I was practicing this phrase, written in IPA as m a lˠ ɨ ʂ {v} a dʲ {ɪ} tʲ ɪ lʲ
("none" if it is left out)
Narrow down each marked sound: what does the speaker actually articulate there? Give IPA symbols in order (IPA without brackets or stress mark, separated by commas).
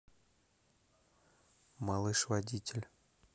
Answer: v, i